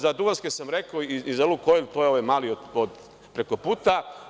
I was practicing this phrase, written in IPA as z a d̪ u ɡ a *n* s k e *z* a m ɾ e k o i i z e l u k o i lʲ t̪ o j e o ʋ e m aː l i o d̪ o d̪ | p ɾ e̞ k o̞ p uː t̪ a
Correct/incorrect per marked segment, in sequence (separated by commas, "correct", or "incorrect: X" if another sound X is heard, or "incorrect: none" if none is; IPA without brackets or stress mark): correct, incorrect: s